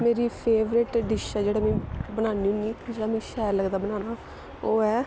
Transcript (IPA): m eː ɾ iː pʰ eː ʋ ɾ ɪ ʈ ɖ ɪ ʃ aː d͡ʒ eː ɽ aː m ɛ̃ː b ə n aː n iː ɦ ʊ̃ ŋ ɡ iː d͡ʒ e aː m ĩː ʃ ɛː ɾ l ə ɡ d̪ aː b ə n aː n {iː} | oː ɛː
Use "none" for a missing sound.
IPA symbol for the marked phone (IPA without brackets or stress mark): aː